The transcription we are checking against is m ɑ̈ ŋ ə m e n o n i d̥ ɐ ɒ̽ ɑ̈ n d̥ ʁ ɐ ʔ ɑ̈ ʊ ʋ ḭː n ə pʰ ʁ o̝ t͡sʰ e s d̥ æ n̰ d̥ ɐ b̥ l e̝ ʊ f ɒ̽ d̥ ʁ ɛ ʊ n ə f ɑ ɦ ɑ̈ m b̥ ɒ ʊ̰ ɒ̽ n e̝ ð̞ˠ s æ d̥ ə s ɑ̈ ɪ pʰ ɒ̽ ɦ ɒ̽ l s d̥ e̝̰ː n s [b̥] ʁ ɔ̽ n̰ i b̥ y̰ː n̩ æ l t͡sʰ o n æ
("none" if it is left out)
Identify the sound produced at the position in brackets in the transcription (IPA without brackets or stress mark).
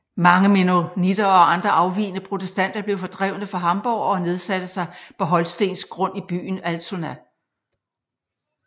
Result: ɡ̥